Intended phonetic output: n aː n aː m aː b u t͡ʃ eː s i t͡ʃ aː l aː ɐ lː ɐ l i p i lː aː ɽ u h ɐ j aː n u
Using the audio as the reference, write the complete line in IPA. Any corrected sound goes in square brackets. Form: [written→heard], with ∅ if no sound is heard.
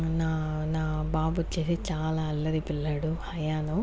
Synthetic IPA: n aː n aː [m→b] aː b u t͡ʃ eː s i t͡ʃ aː l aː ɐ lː ɐ [l→ɾ] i p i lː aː ɽ u h ɐ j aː n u